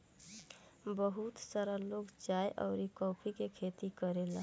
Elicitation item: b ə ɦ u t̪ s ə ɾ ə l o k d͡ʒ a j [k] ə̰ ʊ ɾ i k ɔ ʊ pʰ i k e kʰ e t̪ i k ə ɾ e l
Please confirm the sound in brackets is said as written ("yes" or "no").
no